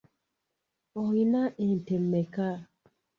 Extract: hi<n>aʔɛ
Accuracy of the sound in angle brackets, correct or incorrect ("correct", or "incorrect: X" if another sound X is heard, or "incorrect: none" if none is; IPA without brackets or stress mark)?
correct